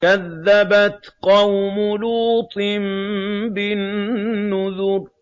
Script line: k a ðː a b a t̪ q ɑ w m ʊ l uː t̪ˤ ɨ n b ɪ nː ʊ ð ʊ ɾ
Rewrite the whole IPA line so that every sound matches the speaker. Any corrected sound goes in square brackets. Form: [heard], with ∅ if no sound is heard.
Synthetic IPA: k a ðː a b a t̪ q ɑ w m ʊ l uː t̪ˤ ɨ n b ɪ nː ʊ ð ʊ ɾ